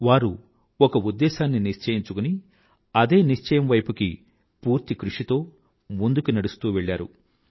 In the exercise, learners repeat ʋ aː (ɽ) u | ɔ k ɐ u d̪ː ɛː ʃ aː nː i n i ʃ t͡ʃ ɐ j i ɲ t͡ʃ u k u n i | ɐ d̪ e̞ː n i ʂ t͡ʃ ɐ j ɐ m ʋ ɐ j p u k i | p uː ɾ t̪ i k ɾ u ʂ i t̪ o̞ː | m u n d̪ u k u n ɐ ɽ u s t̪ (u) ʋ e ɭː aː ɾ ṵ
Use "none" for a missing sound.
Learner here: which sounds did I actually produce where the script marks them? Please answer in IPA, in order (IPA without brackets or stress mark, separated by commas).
ɾ, uː